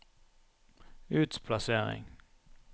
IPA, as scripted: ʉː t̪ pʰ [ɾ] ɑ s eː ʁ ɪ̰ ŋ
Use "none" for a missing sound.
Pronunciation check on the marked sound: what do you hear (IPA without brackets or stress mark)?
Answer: l